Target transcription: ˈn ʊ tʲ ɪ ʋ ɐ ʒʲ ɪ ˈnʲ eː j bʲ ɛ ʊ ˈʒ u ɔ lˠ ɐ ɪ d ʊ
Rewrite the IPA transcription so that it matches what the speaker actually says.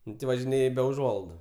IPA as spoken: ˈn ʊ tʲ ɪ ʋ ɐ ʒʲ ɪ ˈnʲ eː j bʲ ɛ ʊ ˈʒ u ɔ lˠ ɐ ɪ d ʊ